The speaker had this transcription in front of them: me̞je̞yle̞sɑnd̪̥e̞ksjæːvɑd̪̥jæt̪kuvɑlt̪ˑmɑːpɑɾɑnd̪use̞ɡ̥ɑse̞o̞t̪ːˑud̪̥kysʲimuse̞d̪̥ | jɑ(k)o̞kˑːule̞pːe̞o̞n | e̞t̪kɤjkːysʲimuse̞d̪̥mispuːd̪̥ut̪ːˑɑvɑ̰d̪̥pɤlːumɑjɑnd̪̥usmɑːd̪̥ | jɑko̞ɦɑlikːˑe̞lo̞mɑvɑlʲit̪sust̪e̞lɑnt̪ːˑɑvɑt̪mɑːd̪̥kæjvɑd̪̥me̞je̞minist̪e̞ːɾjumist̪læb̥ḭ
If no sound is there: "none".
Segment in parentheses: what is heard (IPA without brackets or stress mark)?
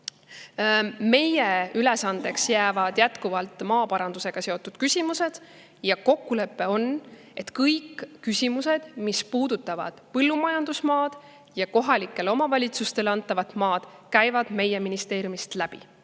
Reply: k